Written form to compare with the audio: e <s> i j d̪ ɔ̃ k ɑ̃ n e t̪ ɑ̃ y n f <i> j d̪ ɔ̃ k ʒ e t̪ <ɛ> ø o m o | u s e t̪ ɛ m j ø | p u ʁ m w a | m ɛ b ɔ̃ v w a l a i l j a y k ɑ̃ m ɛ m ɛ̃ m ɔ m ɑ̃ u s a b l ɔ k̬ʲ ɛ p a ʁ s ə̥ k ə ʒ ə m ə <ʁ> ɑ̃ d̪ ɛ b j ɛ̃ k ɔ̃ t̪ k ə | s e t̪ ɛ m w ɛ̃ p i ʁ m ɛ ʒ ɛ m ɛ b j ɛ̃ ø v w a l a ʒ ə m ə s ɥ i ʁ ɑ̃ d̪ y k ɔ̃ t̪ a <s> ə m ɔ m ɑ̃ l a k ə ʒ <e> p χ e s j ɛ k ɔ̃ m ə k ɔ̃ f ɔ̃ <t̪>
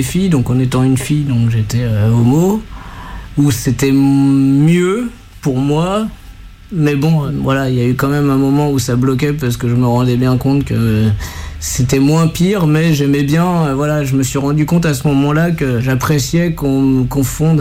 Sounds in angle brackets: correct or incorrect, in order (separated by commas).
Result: incorrect, correct, correct, correct, correct, incorrect, incorrect